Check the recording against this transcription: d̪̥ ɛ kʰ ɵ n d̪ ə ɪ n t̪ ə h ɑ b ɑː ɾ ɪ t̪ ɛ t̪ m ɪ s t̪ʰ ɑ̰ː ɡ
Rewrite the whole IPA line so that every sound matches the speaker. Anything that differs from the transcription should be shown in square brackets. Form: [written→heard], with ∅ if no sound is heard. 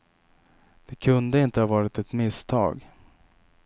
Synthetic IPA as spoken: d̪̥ ɛ kʰ ɵ n d̪ ə ɪ n t̪ ə h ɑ [b→v] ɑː ɾ ɪ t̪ ɛ t̪ m ɪ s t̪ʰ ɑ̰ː ɡ